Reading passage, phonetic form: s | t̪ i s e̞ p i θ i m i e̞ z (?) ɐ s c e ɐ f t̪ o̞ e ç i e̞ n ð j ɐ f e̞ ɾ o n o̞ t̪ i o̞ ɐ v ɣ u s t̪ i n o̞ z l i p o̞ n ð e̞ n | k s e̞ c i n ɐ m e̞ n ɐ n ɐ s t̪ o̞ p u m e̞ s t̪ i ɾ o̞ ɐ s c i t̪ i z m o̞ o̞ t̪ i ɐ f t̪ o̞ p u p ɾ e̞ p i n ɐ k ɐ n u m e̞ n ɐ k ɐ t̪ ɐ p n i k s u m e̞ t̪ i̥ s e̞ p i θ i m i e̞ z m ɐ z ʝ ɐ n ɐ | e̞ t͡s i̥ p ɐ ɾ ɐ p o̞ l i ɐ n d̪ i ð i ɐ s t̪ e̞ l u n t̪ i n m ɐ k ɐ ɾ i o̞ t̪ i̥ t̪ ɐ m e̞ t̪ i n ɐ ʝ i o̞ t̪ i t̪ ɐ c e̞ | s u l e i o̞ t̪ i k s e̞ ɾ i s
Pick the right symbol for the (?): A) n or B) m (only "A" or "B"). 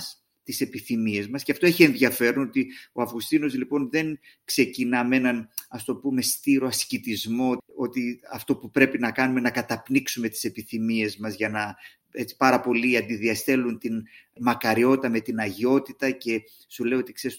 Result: B